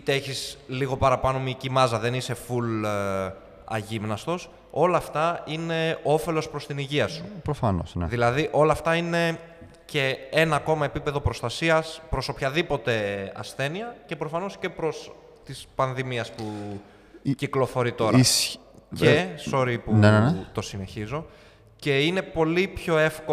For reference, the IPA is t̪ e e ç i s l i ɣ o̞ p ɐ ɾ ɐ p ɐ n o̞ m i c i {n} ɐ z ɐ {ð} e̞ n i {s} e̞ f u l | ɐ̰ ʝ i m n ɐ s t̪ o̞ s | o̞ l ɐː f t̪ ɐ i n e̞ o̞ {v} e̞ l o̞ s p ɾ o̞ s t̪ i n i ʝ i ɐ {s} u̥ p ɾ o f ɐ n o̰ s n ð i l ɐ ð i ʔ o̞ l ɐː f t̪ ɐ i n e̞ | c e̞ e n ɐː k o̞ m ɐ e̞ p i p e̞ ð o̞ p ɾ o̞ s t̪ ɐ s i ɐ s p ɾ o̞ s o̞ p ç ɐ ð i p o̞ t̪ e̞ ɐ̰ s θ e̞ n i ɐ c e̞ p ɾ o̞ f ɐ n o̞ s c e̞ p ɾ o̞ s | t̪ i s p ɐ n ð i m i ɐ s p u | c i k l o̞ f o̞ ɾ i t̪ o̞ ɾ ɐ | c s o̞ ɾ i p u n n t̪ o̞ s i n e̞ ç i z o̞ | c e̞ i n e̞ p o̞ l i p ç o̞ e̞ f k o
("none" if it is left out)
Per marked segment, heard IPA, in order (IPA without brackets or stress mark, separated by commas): m, ð, s, f, s